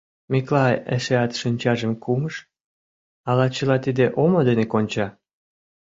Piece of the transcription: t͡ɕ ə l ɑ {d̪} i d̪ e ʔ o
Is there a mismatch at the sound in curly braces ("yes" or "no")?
yes